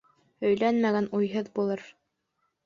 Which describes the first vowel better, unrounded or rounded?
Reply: rounded